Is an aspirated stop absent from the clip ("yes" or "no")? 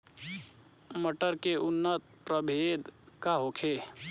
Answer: no